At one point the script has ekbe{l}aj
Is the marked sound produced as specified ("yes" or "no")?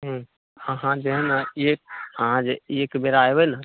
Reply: no